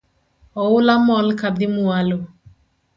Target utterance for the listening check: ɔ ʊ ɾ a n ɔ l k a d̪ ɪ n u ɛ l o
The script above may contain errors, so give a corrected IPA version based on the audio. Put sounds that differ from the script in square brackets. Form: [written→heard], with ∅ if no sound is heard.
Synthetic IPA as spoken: ɔ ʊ [ɾ→l] a [n→m] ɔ l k a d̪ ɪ [n→m] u [ɛ→a] l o